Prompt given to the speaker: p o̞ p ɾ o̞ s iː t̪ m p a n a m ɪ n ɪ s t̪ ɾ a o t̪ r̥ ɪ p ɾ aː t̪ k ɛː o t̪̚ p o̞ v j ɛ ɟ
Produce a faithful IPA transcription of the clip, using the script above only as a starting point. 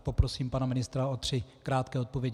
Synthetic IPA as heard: p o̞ p ɾ o̞ s iː m p a n a m ɪ n ɪ s t̪ ɾ a o t̪ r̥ ɪ k ɾ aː t̪ k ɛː o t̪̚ p o̞ v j ɛ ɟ